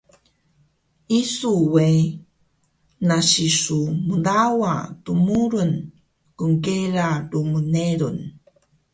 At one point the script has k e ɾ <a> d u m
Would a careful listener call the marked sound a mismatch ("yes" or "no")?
no